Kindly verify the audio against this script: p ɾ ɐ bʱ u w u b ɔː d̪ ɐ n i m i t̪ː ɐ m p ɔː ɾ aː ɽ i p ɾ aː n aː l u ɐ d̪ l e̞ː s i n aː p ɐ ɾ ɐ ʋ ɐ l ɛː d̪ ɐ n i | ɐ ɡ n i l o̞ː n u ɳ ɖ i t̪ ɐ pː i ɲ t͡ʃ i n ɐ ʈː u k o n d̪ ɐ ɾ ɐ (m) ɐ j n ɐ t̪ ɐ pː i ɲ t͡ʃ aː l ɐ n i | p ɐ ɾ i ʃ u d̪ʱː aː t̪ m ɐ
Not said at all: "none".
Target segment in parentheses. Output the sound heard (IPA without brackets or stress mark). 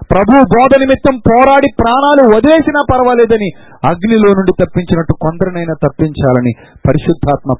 n